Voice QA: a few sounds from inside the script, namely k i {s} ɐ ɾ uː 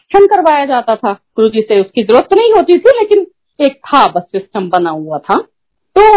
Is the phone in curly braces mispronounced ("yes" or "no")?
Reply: yes